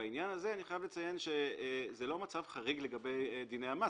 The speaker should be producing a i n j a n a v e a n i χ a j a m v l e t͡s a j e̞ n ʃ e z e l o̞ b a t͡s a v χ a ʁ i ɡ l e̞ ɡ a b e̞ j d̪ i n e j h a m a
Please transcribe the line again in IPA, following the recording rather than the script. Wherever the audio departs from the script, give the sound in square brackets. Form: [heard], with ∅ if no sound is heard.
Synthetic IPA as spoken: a i n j a n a [z] e a n i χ a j a [∅] v l e t͡s a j e̞ n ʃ e z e l o̞ [m] a t͡s a v χ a ʁ i ɡ l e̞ ɡ a b e̞ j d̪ i n e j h a m a